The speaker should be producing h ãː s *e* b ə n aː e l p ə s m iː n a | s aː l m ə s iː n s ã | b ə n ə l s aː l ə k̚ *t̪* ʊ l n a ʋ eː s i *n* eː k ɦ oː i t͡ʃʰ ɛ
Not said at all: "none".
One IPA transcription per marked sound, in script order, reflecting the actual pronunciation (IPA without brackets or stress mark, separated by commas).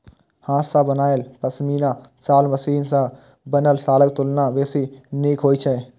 a, t̪, n